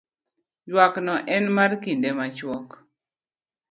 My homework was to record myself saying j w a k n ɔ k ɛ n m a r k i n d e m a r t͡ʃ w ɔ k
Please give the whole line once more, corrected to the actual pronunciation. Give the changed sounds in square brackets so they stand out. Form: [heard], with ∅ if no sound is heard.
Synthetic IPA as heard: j w a k n ɔ [ʔ] ɛ n m a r k i n d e m a [∅] t͡ʃ w ɔ k